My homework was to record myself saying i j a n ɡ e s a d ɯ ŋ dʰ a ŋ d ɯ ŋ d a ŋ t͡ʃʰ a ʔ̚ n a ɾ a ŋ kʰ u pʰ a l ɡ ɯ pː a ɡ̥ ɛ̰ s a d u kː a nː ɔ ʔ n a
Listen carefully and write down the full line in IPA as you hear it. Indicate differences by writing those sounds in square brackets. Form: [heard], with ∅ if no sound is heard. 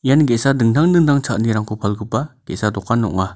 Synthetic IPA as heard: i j a n ɡ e s a d ɯ ŋ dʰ a ŋ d ɯ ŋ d a ŋ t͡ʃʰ a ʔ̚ n [i] ɾ a ŋ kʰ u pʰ a l ɡ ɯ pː a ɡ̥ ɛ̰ s a d [ɔ] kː a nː ɔ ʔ [ŋ] a